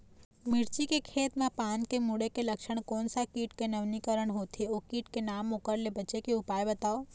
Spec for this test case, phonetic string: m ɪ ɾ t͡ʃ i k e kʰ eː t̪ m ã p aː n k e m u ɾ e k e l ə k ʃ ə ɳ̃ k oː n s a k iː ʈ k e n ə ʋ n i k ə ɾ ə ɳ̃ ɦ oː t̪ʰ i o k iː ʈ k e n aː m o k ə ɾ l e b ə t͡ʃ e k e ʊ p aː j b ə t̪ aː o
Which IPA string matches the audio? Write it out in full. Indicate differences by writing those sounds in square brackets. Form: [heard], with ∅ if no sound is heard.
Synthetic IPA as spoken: m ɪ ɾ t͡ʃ i k e kʰ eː t̪ m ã p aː n k e m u [ɽ] e k e l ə k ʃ ə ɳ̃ k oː n s a k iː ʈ k e n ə ʋ n i k ə ɾ ə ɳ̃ ɦ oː t̪ʰ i o k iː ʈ k e n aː m o k ə ɾ l e b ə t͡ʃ e k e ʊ p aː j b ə t̪ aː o